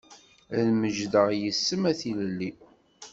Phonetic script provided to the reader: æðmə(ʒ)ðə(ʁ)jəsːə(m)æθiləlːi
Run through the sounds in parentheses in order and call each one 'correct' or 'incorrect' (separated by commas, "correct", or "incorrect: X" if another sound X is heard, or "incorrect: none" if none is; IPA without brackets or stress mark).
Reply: correct, correct, correct